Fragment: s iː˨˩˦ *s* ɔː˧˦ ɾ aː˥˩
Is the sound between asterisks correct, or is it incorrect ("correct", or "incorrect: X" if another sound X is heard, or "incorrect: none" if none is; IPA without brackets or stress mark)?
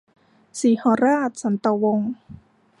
incorrect: h